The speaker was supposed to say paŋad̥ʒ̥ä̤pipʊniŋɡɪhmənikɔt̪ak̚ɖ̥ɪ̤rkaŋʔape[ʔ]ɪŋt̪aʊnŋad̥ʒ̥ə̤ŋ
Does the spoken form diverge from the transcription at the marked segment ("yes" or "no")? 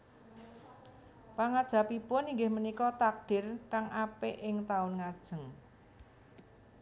no